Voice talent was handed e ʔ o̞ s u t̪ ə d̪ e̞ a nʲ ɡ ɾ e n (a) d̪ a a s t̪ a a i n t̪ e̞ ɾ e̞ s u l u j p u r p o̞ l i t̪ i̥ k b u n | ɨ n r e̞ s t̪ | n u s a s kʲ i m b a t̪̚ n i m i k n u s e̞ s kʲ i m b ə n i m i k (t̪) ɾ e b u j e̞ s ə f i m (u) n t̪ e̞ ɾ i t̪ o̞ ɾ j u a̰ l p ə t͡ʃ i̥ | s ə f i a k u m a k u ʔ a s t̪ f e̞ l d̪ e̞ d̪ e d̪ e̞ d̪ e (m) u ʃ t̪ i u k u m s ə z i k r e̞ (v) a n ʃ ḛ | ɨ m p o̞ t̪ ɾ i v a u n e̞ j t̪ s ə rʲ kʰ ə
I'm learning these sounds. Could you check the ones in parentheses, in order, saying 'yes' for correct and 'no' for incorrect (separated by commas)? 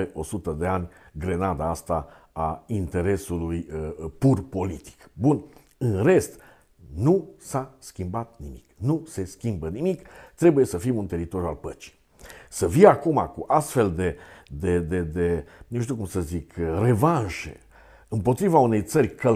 yes, yes, yes, no, yes